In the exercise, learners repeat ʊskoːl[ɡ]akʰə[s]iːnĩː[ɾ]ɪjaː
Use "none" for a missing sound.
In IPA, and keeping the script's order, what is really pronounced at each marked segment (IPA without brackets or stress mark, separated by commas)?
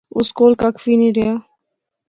k, f, ɾ